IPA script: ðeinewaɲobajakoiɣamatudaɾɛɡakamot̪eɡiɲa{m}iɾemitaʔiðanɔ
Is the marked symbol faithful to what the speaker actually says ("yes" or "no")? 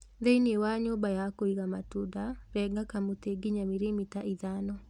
yes